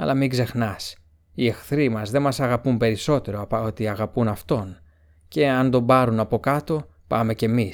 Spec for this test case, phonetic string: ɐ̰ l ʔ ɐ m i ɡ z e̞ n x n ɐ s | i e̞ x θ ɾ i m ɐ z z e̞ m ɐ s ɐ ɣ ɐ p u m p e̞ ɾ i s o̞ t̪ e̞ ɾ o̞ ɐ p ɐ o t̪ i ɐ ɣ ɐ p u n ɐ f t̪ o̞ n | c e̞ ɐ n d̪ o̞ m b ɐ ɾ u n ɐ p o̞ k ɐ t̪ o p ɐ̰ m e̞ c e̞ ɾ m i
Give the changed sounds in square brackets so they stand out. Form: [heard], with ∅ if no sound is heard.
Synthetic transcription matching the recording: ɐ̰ l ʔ ɐ m i ɡ z e̞ [∅] x n ɐ s | i e̞ x θ ɾ i m ɐ z [ð] e̞ m ɐ s ɐ ɣ ɐ p u m p e̞ ɾ i s o̞ t̪ e̞ ɾ o̞ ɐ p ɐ o t̪ i ɐ ɣ ɐ p u n ɐ f t̪ o̞ n | c e̞ ɐ n d̪ o̞ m b ɐ ɾ u n ɐ p o̞ k ɐ t̪ o p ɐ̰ m e̞ c e̞ [∅] m i